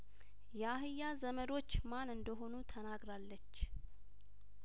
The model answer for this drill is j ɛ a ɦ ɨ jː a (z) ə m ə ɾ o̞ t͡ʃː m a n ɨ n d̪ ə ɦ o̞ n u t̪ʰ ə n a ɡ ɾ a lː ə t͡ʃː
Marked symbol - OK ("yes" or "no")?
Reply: yes